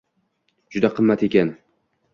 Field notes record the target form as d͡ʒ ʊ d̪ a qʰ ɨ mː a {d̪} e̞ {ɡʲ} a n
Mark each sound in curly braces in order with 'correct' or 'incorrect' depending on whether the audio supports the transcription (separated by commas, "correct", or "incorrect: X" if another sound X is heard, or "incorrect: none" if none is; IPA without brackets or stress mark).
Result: incorrect: t̪, incorrect: kʲ